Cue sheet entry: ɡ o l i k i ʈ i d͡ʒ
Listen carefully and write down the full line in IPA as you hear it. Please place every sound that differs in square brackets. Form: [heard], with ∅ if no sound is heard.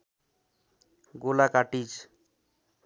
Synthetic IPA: ɡ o l [a] k [a] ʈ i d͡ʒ